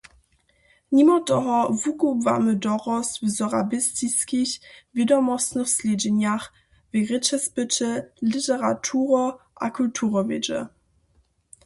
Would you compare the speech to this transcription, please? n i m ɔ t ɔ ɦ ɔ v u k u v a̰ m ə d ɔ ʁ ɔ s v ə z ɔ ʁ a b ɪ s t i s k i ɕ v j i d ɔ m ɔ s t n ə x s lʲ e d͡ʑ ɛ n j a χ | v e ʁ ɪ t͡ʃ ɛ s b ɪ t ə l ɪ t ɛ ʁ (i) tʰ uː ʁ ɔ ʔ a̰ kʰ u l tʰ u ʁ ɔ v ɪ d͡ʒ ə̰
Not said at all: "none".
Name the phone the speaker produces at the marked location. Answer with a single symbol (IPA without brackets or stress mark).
a